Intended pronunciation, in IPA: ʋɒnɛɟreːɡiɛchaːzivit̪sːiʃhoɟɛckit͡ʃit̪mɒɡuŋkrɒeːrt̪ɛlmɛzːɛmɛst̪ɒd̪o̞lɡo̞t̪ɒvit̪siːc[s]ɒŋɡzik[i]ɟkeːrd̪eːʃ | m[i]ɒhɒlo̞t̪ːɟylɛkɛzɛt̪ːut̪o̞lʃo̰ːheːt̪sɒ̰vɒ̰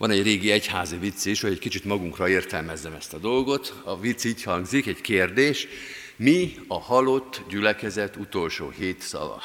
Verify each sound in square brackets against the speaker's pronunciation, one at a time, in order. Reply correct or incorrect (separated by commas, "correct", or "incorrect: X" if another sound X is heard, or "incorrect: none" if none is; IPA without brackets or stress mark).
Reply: incorrect: h, incorrect: ɛ, correct